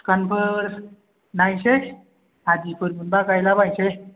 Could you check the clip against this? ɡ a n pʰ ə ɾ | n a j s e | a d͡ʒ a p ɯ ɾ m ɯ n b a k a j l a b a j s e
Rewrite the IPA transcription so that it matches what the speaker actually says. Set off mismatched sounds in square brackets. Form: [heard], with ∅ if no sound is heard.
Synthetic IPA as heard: [k] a n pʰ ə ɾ | n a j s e | a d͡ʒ [i] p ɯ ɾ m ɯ n b a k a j l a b a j s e